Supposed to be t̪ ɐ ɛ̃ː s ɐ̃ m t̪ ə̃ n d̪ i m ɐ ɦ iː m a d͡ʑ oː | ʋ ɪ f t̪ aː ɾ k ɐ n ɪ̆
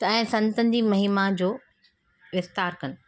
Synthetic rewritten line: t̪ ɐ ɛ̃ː s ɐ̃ n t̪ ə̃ n d̪ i m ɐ ɦ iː m a d͡ʑ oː | ʋ ɪ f t̪ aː ɾ k ɐ n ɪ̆